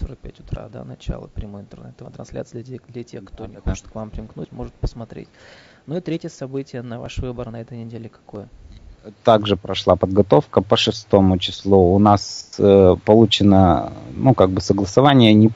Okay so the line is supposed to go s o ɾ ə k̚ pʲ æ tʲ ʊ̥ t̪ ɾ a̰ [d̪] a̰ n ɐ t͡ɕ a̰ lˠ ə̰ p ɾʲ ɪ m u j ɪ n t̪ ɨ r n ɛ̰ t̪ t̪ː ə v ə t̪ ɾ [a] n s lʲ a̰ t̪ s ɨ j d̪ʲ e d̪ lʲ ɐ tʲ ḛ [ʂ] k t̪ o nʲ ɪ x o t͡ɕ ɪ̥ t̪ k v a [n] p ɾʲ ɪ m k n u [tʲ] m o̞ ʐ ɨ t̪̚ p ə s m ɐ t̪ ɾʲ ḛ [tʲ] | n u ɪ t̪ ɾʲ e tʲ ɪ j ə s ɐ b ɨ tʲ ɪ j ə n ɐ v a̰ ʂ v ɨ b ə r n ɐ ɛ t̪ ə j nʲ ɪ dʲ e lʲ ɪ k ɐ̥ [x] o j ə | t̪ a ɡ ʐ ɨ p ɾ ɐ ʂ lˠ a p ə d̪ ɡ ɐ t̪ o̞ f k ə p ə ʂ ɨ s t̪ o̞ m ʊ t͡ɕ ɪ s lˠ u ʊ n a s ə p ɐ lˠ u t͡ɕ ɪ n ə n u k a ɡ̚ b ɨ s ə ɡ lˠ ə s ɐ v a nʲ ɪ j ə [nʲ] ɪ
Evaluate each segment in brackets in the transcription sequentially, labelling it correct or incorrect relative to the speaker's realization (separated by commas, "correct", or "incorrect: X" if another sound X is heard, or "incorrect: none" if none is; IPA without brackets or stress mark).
correct, incorrect: ɐ, incorrect: x, incorrect: m, correct, correct, incorrect: k, correct